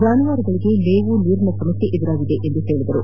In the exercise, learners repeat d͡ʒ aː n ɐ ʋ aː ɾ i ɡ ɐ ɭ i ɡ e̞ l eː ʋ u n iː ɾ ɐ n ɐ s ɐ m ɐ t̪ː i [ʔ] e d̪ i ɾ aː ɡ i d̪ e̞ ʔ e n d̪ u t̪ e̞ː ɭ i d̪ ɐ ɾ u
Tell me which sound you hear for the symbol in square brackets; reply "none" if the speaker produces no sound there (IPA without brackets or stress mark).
ʔ